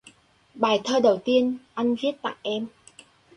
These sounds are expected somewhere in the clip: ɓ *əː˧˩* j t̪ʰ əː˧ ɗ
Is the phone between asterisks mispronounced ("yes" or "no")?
yes